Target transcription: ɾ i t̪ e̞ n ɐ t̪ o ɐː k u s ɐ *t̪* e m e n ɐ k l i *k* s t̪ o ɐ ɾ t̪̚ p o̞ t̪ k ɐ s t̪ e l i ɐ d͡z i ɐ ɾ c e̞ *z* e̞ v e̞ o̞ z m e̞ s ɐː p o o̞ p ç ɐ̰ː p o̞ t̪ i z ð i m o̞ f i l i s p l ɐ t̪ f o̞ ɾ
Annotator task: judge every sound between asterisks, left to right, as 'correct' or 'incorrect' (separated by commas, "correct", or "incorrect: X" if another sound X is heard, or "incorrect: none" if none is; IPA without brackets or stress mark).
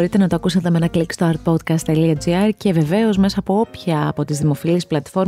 correct, correct, incorrect: v